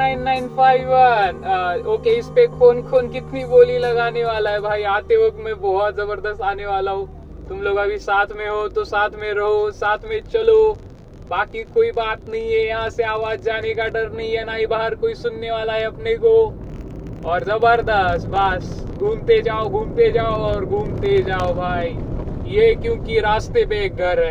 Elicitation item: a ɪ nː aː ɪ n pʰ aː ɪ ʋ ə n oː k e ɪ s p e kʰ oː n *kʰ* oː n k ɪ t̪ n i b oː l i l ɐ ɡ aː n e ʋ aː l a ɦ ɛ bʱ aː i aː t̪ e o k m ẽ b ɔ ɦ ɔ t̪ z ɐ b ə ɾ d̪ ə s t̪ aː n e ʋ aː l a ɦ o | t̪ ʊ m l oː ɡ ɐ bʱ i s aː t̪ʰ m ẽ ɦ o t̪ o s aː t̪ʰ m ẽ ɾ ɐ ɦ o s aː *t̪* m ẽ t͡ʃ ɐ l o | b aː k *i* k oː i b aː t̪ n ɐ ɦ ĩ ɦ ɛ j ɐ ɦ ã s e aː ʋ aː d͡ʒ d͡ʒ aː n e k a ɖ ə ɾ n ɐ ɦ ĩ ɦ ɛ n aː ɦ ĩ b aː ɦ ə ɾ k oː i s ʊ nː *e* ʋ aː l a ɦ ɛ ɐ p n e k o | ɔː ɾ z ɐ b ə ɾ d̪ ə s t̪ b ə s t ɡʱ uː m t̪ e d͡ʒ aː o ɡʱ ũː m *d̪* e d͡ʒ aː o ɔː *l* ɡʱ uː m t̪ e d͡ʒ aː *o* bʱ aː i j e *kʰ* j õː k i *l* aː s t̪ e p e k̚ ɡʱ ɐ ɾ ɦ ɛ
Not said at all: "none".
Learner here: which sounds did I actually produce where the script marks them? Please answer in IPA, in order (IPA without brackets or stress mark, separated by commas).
kʰ, t̪ʰ, i, e, t̪, ɾ, o, k, ɾ